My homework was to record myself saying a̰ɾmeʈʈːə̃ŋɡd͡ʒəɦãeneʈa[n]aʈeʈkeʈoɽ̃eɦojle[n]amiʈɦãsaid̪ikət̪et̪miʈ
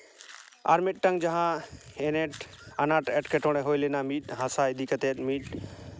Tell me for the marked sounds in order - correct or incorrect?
correct, correct

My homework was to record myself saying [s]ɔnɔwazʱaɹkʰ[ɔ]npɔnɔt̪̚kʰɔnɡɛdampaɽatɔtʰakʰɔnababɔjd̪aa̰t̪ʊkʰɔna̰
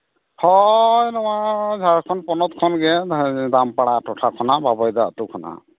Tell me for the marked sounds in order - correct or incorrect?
incorrect: h, correct

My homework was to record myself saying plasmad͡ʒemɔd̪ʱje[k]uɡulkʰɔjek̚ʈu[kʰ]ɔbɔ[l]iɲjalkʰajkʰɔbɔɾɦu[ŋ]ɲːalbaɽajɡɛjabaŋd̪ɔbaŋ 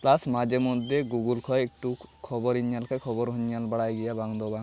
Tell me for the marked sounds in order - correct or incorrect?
incorrect: ɡ, correct, incorrect: ɾ, incorrect: none

